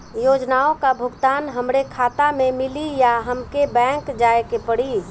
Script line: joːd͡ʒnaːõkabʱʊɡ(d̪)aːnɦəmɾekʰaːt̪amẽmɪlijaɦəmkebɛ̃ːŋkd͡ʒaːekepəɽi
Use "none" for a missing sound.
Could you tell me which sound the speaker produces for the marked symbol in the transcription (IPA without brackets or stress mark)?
t̪